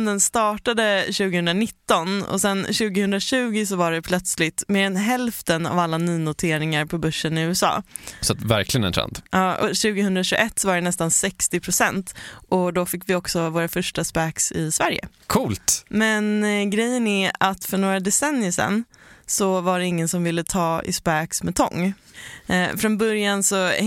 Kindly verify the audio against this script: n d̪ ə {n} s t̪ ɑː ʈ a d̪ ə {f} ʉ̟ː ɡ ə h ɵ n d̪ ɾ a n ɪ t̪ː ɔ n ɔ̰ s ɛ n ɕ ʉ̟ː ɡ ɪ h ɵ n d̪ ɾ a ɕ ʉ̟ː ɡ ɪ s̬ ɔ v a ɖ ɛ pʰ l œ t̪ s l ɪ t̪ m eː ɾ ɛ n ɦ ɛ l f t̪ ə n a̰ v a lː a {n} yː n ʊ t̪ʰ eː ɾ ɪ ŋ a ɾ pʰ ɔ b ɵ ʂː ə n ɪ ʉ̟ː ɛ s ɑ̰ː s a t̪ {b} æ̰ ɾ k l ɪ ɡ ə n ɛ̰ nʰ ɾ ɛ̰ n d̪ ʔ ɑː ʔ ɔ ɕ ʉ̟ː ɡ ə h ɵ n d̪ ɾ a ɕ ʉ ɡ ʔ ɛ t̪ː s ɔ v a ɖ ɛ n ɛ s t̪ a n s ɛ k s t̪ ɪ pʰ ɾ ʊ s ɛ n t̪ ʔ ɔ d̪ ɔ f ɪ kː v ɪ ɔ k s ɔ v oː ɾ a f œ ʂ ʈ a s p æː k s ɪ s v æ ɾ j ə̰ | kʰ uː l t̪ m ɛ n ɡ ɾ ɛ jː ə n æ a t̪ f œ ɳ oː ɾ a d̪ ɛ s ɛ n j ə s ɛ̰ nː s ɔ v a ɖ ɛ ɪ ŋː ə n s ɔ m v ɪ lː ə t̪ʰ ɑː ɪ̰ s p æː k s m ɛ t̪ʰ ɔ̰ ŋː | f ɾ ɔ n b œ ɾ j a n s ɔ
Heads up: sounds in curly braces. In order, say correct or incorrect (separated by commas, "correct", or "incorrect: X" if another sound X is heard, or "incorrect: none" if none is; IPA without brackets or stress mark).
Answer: correct, incorrect: ɕ, correct, incorrect: v